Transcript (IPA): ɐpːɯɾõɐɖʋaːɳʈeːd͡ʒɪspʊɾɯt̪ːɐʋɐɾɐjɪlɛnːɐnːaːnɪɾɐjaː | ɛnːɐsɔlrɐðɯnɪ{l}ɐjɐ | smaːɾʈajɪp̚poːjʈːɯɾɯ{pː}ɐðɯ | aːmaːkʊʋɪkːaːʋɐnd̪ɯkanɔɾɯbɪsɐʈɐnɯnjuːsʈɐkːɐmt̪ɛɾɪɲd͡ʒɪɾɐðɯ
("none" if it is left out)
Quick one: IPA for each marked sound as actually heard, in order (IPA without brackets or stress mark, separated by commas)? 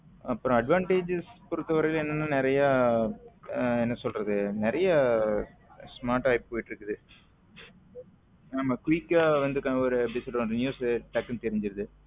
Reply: ɾ, kː